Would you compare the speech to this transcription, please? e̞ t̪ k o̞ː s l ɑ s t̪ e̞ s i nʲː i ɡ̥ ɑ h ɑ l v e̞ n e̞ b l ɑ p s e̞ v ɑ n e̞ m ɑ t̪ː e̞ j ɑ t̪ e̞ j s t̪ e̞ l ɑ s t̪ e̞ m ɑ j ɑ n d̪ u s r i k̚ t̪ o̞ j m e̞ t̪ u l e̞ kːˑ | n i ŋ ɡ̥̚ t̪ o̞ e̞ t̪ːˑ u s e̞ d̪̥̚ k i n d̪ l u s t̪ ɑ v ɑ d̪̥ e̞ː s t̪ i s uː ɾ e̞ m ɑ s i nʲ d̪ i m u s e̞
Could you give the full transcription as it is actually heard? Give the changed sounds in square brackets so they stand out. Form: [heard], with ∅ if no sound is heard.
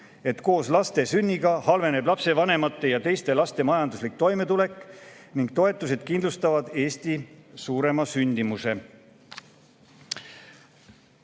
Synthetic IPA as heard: e̞ t̪ k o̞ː s l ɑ s t̪ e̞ s [y] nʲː i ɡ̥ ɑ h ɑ l v e̞ n e̞ b l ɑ p s e̞ v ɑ n e̞ m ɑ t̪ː e̞ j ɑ t̪ e̞ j s t̪ e̞ l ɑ s t̪ e̞ m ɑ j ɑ n d̪ u s [l] i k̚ t̪ o̞ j m e̞ t̪ u l e̞ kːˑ | n i ŋ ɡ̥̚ t̪ o̞ e̞ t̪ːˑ u s e̞ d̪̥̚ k i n d̪ l u s t̪ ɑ v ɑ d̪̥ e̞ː s t̪ i s uː ɾ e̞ m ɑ s [y] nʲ d̪ i m u s e̞